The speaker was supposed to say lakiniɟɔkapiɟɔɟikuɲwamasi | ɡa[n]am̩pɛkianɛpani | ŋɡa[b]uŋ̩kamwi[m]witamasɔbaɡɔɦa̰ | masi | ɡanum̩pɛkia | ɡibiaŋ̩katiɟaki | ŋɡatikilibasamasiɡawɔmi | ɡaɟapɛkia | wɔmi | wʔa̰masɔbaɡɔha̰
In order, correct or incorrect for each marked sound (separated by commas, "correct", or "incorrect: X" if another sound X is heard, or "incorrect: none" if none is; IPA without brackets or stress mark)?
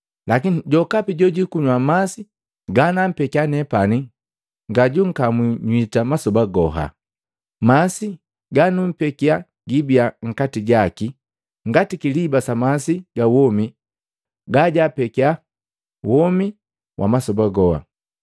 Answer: correct, incorrect: ɟ, incorrect: ɲ